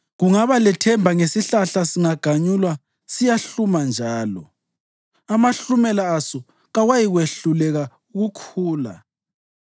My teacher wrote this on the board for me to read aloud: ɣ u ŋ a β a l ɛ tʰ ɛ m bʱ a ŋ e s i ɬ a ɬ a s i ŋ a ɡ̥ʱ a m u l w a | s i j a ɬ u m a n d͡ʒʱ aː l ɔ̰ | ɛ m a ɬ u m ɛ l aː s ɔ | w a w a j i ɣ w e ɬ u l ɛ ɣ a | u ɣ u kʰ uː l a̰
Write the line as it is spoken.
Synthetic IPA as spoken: ɣ u ŋ a β a l ɛ tʰ ɛ m bʱ a ŋ e s i ɬ a ɬ a s i ŋ a ɡ̥ʱ a ɲ u l w a | s i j a ɬ u m a n d͡ʒʱ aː l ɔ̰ | a m a ɬ u m ɛ l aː s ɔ | ɣ a w a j i ɣ w e ɬ u l ɛ ɣ a | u ɣ u kʰ uː l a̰